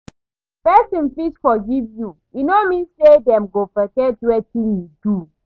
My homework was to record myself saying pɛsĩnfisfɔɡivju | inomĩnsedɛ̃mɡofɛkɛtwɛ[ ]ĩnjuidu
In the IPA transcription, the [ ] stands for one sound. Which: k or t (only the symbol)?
t